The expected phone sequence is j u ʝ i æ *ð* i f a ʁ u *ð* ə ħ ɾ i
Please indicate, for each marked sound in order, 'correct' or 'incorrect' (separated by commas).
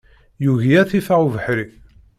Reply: incorrect, incorrect